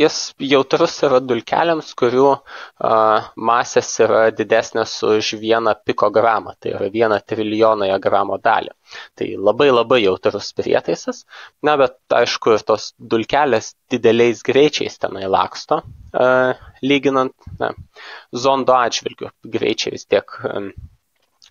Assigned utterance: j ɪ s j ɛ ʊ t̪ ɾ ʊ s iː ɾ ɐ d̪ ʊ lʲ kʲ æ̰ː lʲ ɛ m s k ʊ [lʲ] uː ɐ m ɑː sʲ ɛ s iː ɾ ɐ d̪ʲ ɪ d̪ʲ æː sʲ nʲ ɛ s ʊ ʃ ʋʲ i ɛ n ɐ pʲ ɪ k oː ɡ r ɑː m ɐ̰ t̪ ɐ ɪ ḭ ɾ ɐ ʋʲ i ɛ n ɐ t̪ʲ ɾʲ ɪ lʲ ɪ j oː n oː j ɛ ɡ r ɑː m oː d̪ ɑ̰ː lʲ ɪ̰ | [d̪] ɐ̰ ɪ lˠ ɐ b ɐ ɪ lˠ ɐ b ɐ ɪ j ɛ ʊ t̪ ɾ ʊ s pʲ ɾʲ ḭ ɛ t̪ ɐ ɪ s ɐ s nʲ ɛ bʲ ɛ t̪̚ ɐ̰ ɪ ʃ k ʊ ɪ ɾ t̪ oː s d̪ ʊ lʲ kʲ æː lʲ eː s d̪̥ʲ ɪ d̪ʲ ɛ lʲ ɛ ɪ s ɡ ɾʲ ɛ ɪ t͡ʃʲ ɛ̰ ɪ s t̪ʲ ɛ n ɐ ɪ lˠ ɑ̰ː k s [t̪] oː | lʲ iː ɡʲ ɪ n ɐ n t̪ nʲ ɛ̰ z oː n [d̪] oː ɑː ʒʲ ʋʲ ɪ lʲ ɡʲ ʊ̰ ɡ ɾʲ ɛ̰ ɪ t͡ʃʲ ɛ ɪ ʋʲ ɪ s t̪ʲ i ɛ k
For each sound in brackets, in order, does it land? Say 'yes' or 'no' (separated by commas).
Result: no, no, yes, yes